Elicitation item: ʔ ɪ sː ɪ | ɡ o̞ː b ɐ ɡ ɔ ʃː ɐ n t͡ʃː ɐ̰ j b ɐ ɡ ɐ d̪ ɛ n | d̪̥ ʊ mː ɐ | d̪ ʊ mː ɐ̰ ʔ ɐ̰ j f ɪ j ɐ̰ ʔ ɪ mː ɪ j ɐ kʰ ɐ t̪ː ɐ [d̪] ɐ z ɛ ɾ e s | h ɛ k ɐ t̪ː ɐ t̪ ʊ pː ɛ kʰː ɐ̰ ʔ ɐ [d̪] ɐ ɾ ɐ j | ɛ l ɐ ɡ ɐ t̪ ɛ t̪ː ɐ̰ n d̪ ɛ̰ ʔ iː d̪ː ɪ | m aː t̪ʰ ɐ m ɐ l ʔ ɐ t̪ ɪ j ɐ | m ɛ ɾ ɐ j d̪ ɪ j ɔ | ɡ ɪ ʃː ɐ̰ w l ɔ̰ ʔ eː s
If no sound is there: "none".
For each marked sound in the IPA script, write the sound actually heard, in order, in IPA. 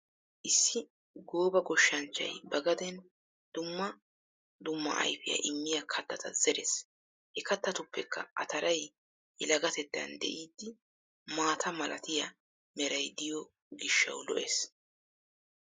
t̪, t̪

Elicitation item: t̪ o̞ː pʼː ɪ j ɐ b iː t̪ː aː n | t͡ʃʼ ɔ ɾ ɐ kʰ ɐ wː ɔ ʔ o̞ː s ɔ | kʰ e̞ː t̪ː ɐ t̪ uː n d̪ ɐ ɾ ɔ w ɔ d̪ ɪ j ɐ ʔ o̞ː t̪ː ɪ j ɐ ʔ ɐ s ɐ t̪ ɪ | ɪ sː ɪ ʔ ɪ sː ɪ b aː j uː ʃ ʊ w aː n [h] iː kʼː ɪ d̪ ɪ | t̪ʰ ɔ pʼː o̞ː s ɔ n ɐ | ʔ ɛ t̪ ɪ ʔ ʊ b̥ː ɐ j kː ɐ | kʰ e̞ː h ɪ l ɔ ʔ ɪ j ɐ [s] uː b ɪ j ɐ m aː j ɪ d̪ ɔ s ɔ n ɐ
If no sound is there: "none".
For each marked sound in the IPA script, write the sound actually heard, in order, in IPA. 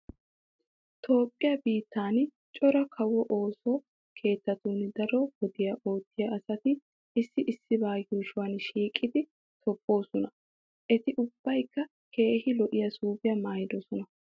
ʃ, s

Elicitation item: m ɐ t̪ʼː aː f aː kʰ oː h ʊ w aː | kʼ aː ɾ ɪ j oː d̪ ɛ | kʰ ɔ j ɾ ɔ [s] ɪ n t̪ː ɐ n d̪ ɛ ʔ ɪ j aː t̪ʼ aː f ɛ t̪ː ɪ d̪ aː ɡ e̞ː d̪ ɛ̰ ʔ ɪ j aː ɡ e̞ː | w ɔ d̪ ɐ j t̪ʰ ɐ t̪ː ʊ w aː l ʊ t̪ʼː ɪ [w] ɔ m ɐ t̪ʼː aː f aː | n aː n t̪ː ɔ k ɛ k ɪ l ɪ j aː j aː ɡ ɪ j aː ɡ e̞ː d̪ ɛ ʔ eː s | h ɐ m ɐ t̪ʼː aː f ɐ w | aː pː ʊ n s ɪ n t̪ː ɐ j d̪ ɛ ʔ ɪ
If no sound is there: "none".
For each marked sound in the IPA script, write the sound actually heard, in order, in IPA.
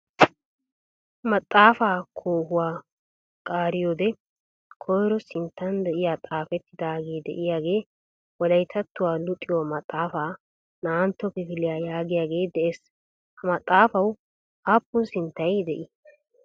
s, w

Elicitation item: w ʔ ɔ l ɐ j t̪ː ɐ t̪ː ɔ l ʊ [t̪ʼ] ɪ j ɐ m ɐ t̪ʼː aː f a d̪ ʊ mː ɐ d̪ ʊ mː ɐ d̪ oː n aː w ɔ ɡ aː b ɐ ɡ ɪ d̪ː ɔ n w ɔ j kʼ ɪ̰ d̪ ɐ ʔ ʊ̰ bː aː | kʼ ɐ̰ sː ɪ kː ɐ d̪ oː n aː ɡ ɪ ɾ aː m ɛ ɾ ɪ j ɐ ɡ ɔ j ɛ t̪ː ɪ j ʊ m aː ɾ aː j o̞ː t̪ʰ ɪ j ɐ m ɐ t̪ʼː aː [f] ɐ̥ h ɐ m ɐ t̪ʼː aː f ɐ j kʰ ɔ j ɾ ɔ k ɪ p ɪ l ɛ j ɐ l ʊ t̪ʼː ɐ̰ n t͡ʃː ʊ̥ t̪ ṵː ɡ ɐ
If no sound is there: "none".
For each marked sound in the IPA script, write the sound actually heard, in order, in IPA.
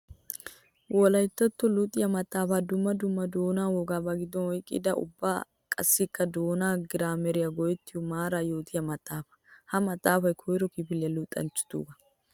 t̪ʼ, f

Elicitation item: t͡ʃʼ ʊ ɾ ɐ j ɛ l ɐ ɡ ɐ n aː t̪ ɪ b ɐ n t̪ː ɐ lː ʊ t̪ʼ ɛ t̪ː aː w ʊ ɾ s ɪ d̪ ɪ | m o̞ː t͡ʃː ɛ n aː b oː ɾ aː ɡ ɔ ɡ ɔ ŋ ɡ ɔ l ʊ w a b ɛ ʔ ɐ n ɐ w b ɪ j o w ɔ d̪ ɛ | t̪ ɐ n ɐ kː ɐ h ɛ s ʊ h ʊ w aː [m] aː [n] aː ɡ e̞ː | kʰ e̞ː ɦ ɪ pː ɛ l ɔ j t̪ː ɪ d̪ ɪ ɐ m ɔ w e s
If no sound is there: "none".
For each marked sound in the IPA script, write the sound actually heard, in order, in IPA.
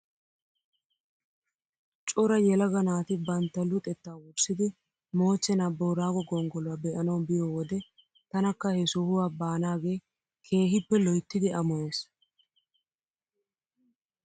b, n

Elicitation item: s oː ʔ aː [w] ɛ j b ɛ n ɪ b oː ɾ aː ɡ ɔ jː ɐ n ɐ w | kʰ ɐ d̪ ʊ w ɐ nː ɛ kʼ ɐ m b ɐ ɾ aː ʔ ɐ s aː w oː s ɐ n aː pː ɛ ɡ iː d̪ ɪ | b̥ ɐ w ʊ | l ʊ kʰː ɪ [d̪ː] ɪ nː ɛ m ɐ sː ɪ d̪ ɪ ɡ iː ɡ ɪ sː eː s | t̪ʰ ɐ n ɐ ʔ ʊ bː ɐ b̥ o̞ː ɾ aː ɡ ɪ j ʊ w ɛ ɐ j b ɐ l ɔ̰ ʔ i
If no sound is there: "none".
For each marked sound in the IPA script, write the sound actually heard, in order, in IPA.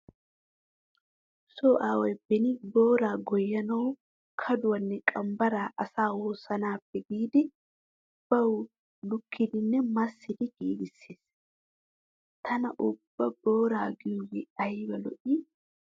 w, d̪

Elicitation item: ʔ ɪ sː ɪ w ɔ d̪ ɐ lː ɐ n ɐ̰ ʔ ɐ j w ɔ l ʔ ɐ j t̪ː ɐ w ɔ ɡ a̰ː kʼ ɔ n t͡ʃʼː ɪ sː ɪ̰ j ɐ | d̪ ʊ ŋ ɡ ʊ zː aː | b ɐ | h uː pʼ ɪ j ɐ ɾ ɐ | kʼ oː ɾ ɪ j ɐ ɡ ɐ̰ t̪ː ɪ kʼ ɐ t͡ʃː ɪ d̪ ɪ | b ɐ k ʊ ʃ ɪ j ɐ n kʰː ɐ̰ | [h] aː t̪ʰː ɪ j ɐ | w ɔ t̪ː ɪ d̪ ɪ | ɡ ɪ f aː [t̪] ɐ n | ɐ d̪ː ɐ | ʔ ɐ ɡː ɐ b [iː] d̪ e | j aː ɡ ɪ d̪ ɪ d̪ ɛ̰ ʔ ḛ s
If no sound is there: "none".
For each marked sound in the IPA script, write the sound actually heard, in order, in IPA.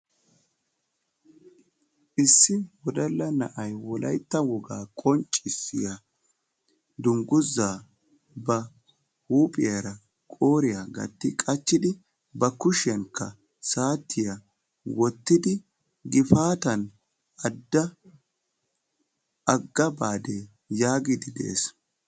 s, t̪, aː

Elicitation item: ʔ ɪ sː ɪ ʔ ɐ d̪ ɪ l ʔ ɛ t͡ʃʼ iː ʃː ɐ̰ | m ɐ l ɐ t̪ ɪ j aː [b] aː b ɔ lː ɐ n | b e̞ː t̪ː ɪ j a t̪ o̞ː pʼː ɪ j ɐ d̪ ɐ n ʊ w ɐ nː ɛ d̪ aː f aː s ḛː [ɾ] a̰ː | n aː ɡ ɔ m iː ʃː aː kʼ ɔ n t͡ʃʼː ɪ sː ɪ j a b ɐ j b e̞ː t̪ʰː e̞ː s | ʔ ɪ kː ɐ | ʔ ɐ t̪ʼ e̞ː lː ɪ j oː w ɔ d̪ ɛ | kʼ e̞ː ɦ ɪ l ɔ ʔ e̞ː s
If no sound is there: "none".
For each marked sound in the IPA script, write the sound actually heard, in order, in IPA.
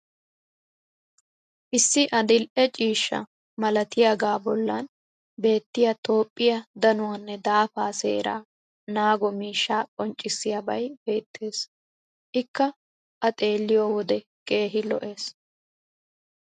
ɡ, ɾ

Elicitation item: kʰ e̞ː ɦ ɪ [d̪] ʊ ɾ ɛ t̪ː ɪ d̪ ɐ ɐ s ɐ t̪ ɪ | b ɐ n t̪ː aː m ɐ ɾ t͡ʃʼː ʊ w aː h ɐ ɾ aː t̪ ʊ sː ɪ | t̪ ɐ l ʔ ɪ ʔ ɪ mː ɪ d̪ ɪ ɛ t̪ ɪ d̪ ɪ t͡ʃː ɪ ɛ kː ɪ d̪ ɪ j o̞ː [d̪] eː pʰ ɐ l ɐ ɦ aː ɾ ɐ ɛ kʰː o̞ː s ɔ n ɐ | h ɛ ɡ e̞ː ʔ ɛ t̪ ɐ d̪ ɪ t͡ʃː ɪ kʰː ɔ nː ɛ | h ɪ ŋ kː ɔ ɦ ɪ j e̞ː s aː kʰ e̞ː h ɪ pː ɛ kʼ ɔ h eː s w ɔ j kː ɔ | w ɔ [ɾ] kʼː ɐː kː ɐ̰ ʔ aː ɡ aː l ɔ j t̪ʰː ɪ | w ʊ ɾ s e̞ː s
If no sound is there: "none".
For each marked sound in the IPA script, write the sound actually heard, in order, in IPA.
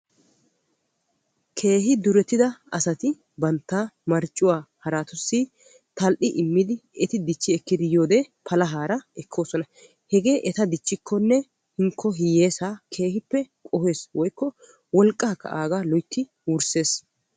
d̪, d̪, l

